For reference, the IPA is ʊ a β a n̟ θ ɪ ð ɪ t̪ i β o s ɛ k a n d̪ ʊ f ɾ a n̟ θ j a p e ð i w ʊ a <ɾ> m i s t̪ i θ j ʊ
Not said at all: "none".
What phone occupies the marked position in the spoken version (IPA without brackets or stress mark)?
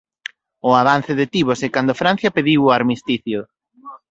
ɾ